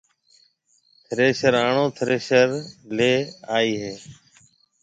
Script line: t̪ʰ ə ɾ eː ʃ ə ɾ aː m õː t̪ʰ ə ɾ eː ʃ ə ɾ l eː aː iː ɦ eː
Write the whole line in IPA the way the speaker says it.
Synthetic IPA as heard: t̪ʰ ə ɾ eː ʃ ə ɾ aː ɳ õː t̪ʰ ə ɾ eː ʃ ə ɾ l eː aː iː ɦ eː